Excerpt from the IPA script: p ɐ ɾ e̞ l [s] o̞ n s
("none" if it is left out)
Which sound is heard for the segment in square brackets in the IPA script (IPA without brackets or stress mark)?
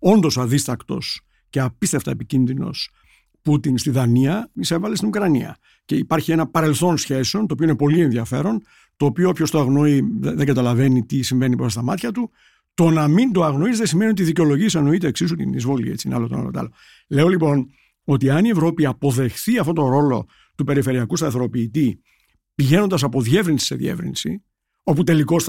θ